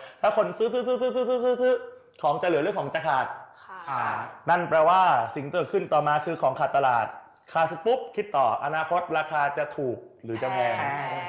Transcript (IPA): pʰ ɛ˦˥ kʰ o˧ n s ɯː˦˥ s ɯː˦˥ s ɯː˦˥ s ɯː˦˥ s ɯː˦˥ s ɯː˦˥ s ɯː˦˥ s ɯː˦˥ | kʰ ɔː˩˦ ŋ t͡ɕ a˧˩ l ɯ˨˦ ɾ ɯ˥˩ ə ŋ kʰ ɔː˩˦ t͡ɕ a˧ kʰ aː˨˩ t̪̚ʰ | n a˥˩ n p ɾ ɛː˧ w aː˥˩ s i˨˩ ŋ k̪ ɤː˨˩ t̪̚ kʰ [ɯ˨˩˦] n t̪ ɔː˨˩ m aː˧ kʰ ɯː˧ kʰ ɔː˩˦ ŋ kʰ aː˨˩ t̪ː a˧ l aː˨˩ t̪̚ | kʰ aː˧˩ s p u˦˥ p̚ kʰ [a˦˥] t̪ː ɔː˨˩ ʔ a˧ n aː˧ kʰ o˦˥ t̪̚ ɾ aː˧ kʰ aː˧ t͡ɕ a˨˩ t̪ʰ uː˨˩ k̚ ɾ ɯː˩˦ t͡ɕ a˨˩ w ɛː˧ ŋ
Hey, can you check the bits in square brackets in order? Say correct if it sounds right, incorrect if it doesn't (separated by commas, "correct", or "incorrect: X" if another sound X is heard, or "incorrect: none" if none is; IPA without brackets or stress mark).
incorrect: ɯ˥˩, incorrect: i˦˥